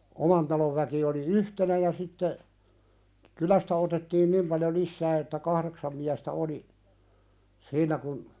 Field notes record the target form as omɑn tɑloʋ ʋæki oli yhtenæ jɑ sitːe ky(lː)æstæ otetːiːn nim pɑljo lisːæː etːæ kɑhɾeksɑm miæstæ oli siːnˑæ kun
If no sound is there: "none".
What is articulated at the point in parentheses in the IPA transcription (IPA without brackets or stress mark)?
l